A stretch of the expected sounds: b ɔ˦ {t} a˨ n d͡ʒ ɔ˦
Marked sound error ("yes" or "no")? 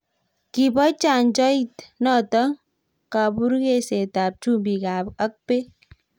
yes